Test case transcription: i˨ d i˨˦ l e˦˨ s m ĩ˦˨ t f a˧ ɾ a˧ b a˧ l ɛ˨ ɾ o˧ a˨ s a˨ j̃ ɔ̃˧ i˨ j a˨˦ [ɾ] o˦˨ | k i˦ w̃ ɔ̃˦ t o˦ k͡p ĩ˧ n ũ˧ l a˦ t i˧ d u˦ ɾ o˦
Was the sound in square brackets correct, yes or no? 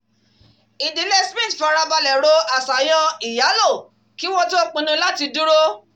no